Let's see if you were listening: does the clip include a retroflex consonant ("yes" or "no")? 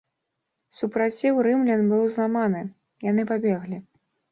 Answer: no